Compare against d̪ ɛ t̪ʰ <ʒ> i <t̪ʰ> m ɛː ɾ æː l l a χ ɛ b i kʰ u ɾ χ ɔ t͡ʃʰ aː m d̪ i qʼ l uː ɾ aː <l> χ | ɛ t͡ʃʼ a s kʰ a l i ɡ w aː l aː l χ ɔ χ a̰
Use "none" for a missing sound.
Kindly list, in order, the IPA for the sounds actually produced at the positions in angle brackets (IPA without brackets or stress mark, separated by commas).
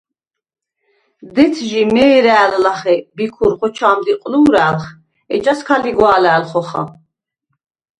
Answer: ʒ, none, l